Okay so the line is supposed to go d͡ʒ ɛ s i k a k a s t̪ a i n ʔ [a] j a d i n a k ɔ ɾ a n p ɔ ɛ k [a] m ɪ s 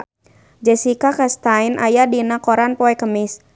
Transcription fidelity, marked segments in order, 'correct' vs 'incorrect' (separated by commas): correct, incorrect